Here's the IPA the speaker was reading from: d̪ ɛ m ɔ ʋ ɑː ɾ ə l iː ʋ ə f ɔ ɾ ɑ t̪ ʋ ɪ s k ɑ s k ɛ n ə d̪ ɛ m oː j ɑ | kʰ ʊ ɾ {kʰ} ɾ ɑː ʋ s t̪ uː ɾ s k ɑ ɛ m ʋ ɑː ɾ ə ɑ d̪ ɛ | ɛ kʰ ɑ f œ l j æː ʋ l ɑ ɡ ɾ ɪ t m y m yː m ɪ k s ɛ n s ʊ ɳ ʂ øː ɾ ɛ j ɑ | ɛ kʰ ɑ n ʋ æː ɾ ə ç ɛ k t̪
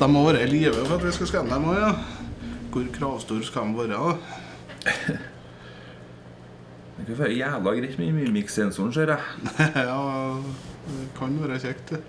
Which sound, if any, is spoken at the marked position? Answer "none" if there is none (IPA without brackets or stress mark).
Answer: kʰ